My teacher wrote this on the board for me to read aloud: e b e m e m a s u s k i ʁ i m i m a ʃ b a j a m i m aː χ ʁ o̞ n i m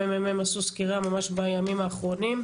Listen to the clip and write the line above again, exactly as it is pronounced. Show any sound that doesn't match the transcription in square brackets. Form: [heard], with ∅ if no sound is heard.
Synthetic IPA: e [m] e m e m a s u s k i ʁ [a] m [a] m a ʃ b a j a m i m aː χ ʁ o̞ n i m